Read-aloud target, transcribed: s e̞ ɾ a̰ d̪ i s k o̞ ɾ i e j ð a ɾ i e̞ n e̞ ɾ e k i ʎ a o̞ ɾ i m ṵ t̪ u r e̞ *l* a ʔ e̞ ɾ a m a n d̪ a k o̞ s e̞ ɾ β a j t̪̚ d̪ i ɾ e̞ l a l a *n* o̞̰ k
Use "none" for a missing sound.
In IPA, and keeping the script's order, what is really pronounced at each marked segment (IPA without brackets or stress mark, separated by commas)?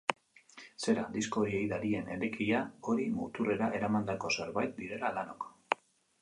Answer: ɾ, n